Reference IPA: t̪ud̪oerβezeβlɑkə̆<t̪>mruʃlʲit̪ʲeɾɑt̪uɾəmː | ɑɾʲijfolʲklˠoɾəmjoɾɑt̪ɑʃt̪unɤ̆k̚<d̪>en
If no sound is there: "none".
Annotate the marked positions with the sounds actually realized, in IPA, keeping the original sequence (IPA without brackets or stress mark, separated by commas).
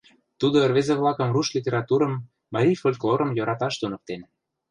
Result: none, t̪